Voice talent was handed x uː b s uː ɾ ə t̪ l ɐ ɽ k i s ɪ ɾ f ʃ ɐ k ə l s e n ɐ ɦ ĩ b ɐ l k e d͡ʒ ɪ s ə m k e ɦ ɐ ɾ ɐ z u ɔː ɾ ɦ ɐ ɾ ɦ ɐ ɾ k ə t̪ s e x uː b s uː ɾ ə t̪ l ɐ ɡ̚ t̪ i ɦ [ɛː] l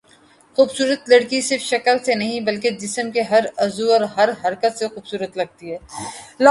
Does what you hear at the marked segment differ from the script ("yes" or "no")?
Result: no